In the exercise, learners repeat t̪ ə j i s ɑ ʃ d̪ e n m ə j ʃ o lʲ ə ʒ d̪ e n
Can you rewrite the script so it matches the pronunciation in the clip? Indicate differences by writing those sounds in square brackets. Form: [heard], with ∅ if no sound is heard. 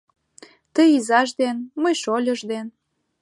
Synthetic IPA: t̪ ə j i [z] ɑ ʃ d̪ e n m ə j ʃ o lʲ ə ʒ d̪ e n